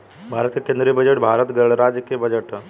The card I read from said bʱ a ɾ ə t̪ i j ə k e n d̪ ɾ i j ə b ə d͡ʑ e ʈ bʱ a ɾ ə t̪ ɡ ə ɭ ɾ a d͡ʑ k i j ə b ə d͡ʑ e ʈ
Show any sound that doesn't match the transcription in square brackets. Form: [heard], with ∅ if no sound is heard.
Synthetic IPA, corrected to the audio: bʱ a ɾ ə t̪ i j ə k e n d̪ ɾ i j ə b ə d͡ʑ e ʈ bʱ a ɾ ə t̪ ɡ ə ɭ ɾ a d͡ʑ k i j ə b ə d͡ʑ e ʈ